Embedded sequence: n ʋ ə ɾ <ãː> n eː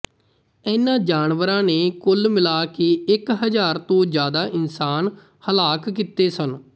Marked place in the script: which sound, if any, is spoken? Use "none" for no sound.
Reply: ãː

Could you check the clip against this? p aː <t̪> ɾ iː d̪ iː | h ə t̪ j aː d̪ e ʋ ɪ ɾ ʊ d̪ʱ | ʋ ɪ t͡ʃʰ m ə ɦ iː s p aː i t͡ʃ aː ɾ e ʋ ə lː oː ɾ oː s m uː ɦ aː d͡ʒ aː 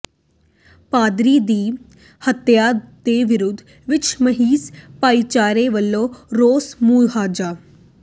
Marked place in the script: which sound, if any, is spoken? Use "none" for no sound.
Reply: d̪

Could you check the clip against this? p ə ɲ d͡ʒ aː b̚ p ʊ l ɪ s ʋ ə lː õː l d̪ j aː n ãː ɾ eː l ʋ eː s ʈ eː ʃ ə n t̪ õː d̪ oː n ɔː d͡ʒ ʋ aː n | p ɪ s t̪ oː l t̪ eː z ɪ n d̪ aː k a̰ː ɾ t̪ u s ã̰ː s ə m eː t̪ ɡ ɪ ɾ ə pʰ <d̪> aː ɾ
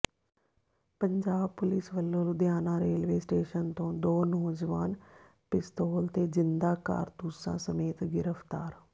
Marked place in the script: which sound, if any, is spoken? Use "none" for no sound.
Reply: t̪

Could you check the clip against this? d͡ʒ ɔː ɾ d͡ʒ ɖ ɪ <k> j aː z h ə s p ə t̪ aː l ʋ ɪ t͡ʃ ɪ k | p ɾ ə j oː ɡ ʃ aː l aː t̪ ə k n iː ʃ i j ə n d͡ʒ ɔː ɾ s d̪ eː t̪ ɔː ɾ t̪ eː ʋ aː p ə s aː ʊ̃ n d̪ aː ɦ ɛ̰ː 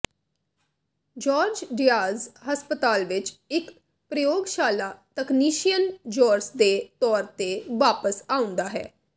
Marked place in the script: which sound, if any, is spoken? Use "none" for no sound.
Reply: none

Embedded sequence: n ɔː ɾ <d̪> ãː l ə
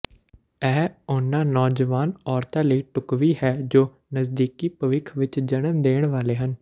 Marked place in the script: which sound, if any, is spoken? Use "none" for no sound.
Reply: t̪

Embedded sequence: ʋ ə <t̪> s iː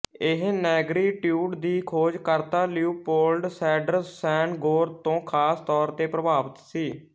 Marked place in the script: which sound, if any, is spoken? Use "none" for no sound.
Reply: t̪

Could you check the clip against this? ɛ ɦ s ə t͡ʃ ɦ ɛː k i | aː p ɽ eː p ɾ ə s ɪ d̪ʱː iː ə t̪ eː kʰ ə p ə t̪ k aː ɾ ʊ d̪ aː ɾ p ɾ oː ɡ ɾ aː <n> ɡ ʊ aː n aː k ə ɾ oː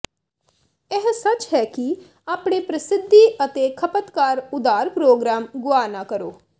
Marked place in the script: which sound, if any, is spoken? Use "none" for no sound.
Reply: m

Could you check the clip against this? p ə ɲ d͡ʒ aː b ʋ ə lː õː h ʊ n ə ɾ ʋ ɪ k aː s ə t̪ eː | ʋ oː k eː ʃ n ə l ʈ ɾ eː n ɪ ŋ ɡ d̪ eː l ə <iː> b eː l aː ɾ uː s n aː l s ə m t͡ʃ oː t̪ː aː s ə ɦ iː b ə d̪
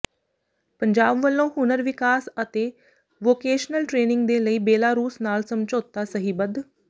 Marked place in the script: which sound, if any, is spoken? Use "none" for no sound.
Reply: iː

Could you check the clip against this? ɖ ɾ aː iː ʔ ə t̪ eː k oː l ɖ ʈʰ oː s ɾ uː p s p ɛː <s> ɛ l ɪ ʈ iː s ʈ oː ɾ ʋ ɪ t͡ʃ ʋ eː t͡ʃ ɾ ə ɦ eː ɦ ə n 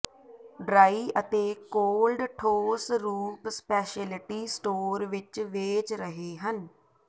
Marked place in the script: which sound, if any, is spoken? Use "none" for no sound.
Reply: ʃ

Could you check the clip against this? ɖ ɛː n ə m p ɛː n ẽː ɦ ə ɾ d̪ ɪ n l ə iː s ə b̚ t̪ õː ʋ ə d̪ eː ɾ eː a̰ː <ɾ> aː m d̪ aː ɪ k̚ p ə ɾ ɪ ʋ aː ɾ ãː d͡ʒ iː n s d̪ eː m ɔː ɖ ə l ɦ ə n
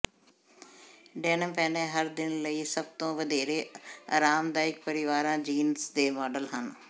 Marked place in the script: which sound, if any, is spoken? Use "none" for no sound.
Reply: ɾ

